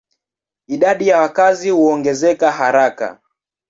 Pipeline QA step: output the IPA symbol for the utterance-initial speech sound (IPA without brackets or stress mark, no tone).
i